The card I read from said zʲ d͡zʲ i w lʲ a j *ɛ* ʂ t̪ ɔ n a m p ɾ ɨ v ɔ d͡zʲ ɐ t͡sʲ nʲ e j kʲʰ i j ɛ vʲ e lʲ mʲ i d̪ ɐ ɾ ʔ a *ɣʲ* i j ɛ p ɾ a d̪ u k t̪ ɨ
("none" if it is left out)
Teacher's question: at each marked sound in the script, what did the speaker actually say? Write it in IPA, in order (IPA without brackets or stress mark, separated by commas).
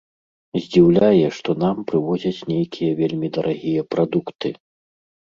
ɛ, ɣʲ